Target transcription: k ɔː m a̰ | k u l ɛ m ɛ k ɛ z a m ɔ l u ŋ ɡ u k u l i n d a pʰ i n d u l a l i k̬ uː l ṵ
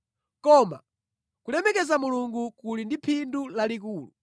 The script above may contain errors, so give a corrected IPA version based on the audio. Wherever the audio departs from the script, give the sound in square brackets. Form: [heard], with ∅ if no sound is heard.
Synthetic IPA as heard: k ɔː m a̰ | k u l ɛ m ɛ k ɛ z a m [u] l u ŋ ɡ u k u l i n d [i] pʰ i n d u l a l i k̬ uː l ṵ